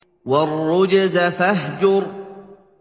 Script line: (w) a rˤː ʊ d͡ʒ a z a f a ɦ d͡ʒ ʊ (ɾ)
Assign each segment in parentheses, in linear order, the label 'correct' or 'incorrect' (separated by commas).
correct, correct